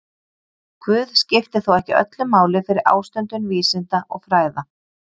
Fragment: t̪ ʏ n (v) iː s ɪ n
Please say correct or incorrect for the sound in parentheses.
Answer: correct